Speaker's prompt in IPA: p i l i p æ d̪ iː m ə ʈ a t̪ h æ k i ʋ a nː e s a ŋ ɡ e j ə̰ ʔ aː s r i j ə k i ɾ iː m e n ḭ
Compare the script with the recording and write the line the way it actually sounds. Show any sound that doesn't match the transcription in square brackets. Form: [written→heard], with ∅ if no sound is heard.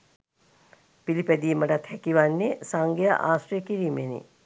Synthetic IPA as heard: p i l i p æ d̪ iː m ə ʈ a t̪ h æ k i ʋ a nː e s a ŋ ɡ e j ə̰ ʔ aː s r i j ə k i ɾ iː m e n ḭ